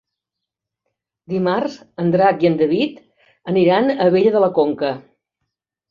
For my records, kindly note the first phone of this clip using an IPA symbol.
d̪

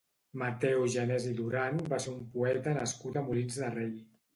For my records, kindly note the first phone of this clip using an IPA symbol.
m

